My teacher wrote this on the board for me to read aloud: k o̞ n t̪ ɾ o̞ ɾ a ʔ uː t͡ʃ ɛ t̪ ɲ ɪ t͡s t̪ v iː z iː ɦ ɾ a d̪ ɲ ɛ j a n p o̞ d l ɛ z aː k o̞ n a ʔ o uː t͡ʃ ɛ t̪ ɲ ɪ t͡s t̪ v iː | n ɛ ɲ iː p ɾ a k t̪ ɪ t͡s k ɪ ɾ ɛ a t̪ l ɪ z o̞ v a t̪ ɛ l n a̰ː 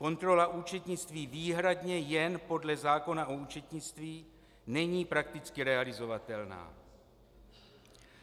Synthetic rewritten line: k o̞ n t̪ ɾ o̞ l a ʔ uː t͡ʃ ɛ t̪ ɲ ɪ t͡s t̪ v iː v iː ɦ ɾ a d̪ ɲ ɛ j ɛ n p o̞ d l ɛ z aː k o̞ n a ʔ o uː t͡ʃ ɛ t̪ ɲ ɪ t͡s t̪ v iː | n ɛ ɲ iː p ɾ a k t̪ ɪ t͡s k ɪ ɾ ɛ a l ɪ z o̞ v a t̪ ɛ l n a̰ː